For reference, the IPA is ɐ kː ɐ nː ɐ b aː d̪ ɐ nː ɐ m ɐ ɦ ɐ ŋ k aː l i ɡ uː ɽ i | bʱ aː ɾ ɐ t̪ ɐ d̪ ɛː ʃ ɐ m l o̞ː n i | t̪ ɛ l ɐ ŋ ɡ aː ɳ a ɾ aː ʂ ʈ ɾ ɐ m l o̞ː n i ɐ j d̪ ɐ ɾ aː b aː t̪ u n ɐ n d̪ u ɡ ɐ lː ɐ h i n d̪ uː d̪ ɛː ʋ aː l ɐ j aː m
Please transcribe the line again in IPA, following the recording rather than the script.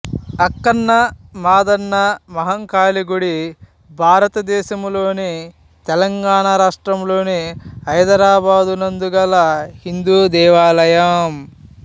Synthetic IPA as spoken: ɐ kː ɐ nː ɐ m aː d̪ ɐ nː ɐ m ɐ ɦ ɐ ŋ k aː l i ɡ u ɽ i | bʱ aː ɾ ɐ t̪ ɐ d̪ ɛː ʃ ɐ m l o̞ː n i | t̪ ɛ l ɐ ŋ ɡ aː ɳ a ɾ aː ʂ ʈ ɾ ɐ m l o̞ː n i ɐ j d̪ ɐ ɾ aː b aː d̪ u n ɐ n d̪ u ɡ ɐ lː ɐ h i n d̪ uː d̪ ɛː ʋ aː l ɐ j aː m